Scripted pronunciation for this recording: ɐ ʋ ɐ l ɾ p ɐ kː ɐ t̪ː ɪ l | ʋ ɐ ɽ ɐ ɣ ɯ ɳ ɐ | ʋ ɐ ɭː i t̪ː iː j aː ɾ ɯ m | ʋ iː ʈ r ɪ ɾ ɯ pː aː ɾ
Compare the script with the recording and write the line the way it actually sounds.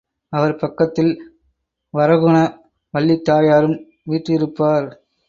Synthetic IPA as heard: ɐ ʋ ɐ ɾ p ɐ kː ɐ t̪ː ɪ l | ʋ ɐ ɾ ɐ ɣ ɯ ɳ ɐ | ʋ ɐ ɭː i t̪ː aː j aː ɾ ɯ m | ʋ iː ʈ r ɪ ɾ ɯ pː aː ɾ